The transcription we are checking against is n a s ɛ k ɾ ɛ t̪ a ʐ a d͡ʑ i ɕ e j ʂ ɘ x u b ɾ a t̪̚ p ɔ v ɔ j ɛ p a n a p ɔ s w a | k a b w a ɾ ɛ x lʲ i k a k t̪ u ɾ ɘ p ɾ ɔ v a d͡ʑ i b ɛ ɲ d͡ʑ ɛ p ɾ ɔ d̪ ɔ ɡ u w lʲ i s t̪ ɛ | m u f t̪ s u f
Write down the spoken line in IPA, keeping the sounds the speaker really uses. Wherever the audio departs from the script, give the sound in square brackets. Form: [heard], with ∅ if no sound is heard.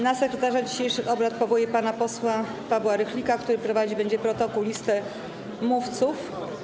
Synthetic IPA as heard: n a s ɛ k ɾ ɛ t̪ a ʐ a d͡ʑ i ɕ e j ʂ ɘ x [ɔ] b ɾ a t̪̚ p ɔ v ɔ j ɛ p a n a p ɔ s w a | [p] a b w a ɾ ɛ x lʲ i k a k t̪ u ɾ ɘ p ɾ ɔ v a d͡ʑ i b ɛ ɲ d͡ʑ ɛ p ɾ ɔ [t̪] ɔ [k] u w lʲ i s t̪ ɛ | m u f t̪ s u f